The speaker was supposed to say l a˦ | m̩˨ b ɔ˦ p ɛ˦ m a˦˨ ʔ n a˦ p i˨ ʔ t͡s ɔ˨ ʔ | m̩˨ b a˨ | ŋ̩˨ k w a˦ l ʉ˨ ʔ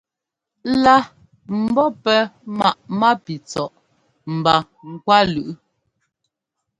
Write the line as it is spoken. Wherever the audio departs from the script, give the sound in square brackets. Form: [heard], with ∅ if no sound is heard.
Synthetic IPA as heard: l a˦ | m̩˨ b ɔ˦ p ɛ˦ m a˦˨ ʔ [m] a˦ p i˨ [∅] t͡s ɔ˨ ʔ | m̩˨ b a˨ | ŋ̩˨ k w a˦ l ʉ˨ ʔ